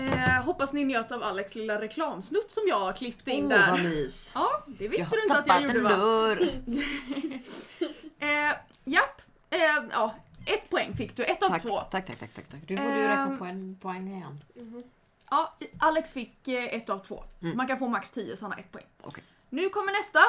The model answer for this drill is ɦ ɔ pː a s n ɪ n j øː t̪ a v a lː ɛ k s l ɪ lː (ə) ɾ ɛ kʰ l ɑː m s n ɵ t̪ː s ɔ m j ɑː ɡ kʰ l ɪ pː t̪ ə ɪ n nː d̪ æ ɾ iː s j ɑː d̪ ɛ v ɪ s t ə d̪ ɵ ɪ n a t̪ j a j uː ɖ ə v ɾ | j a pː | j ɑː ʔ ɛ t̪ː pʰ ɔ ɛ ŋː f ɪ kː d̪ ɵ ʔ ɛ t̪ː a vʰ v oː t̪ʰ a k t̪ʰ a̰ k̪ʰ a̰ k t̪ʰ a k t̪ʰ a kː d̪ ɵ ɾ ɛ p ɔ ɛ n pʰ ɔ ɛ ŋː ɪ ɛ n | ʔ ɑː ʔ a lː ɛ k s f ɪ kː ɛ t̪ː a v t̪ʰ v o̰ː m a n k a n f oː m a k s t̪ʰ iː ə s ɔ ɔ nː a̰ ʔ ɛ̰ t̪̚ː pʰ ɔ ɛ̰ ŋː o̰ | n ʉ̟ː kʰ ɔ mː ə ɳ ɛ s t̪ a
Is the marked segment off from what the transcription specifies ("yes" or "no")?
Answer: yes